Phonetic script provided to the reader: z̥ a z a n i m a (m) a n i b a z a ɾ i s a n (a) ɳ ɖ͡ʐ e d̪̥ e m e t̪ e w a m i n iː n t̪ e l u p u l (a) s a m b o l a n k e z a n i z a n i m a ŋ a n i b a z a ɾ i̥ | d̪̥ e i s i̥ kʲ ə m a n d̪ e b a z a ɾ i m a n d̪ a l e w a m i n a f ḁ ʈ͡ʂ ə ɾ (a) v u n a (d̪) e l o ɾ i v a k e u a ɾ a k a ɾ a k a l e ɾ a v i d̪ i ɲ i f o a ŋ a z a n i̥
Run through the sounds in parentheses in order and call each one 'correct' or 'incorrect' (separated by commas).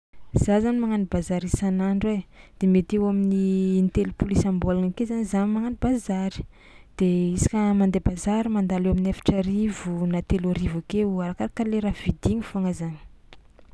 incorrect, correct, incorrect, incorrect, incorrect